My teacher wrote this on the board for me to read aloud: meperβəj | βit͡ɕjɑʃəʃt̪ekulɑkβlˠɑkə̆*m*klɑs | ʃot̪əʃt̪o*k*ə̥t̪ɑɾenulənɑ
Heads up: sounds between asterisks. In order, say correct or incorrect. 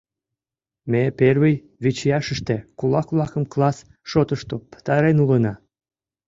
correct, incorrect: p

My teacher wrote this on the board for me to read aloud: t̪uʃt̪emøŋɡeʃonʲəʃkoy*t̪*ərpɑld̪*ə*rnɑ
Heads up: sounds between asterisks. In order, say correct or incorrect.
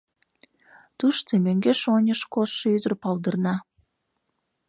incorrect: d̪, correct

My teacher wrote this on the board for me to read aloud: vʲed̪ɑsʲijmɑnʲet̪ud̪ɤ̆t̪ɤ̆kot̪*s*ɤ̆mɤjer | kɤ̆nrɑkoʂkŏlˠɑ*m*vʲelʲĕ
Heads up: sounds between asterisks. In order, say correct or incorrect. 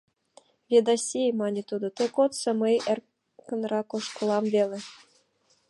correct, correct

